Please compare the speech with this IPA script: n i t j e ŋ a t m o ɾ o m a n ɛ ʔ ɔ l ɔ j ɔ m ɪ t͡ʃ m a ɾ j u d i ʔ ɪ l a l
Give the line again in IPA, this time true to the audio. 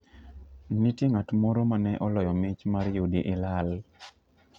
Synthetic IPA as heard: n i t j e ŋ a t m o ɾ o m a n ɛ ʔ ɔ l ɔ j ɔ m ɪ t͡ʃ m a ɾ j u d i ʔ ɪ l a l